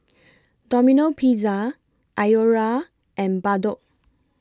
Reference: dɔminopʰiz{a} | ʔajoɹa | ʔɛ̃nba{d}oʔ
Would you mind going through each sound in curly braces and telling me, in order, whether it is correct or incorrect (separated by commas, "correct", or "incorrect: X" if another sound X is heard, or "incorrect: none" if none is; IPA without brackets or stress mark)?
correct, correct